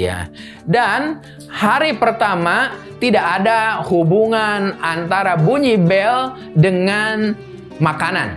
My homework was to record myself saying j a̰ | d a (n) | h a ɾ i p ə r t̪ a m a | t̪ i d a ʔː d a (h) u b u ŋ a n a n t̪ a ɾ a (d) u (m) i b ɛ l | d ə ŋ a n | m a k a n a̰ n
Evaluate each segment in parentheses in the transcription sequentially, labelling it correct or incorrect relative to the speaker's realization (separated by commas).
correct, correct, incorrect, incorrect